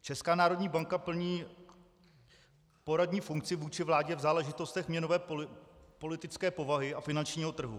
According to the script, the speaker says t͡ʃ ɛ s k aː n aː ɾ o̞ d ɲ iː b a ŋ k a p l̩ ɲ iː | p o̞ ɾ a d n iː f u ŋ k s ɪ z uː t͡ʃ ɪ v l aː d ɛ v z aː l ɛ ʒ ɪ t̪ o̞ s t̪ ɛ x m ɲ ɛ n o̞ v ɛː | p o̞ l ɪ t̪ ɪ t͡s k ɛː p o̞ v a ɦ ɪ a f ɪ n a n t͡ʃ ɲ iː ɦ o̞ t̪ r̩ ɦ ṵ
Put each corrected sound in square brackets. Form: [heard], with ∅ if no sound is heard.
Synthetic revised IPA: t͡ʃ ɛ s k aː n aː ɾ o̞ d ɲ iː b a ŋ k a p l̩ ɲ iː | p o̞ ɾ a d [ɲ] iː f u ŋ k [t͡s] ɪ [v] uː t͡ʃ ɪ v l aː [ɟ] ɛ v z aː l ɛ ʒ ɪ t̪ o̞ s t̪ ɛ x m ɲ ɛ n o̞ v ɛː | p o̞ l ɪ t̪ ɪ t͡s k ɛː p o̞ v a ɦ ɪ a f ɪ n a n t͡ʃ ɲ iː ɦ o̞ t̪ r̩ ɦ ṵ

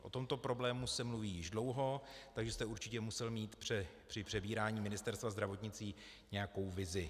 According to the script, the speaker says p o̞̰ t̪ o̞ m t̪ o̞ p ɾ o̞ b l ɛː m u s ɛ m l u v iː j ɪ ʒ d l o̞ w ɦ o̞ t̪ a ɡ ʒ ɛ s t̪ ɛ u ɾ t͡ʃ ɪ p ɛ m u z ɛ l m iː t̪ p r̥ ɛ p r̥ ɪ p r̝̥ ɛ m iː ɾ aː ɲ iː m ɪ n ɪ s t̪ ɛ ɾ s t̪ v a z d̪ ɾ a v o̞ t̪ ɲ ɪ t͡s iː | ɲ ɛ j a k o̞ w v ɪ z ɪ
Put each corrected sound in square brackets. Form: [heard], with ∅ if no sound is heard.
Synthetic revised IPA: [ʔ] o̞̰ t̪ o̞ m t̪ o̞ p ɾ o̞ b l ɛː m u s ɛ m l u v iː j ɪ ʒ d l o̞ w ɦ o̞ t̪ a ɡ ʒ ɛ s t̪ ɛ u ɾ t͡ʃ ɪ [c] ɛ m u [s] ɛ l m iː t̪ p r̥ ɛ p r̥ ɪ p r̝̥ ɛ [b] iː ɾ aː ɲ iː m ɪ n ɪ s t̪ ɛ ɾ s t̪ v a z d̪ ɾ a v o̞ t̪ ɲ ɪ t͡s iː | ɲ ɛ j a k o̞ w v ɪ z ɪ

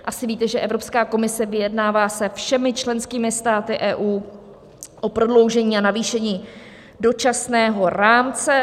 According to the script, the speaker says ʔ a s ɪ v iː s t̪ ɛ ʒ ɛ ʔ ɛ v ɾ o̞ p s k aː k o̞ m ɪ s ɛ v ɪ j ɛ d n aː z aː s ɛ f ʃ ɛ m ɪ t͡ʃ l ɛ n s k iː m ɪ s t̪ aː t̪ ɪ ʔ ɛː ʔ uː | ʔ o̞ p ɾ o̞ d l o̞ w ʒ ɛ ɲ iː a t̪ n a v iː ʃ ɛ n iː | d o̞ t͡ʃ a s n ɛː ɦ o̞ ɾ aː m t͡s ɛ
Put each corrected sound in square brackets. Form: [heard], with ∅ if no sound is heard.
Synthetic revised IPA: ʔ a s ɪ v iː [∅] t̪ ɛ ʒ ɛ ʔ ɛ v ɾ o̞ p s k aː k o̞ m ɪ s ɛ v ɪ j ɛ d n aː [v] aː s ɛ f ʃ ɛ m ɪ t͡ʃ l ɛ n s k iː m ɪ s t̪ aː t̪ ɪ ʔ ɛː ʔ uː | ʔ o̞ p ɾ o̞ d l o̞ w ʒ ɛ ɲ iː a [∅] n a v iː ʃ ɛ [ɲ] iː | d o̞ t͡ʃ a s n ɛː ɦ o̞ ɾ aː m t͡s ɛ

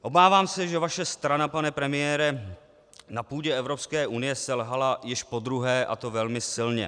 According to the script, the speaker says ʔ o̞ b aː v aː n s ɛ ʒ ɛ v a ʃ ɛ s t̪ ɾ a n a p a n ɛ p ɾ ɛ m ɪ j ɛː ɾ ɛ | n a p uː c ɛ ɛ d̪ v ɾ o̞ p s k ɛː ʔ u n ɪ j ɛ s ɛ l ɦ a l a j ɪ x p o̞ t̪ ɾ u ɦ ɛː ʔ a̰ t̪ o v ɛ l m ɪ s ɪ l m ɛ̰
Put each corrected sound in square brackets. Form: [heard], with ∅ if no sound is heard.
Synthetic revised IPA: ʔ o̞ b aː v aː [m] s ɛ ʒ ɛ v a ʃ ɛ s t̪ ɾ a n a p a n ɛ p ɾ ɛ m ɪ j ɛː ɾ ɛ | n a p uː [ɟ] ɛ ɛ [∅] v ɾ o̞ p s k ɛː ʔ u n ɪ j ɛ s ɛ l ɦ a l a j ɪ [ʃ] p o̞ [d̪] ɾ u ɦ ɛː ʔ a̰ t̪ o v ɛ l m ɪ s ɪ l [ɲ] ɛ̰

